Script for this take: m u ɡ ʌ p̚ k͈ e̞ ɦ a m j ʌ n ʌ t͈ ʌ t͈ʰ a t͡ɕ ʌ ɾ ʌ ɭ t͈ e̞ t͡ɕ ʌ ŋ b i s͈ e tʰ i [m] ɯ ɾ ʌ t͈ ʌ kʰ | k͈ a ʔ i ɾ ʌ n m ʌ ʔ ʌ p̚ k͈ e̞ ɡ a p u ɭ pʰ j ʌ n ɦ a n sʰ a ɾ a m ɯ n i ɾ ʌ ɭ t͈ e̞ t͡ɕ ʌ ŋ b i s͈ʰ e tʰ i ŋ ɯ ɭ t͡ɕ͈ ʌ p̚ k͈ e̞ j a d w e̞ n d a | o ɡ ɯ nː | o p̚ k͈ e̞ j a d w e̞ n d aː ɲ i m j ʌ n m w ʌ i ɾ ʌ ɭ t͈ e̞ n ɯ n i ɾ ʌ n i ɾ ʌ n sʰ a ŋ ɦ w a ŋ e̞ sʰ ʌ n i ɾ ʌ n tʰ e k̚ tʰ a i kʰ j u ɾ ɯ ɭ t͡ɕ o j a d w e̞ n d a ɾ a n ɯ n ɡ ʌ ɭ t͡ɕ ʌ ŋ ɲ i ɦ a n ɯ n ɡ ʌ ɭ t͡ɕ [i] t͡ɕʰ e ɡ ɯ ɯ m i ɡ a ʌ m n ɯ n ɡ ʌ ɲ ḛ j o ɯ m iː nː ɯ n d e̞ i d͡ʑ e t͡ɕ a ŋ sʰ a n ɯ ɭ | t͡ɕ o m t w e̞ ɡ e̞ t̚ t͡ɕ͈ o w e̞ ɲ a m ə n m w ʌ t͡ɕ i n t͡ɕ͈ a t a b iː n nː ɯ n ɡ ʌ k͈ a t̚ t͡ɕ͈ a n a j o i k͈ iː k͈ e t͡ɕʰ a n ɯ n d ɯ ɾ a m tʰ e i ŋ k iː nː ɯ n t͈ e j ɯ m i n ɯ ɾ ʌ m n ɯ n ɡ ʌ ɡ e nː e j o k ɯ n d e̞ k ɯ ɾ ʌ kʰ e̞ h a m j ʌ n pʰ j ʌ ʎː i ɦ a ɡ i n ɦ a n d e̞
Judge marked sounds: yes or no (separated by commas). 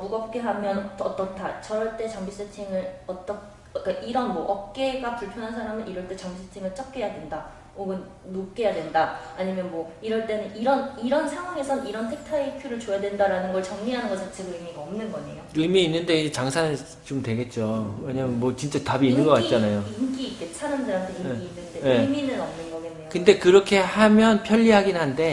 no, no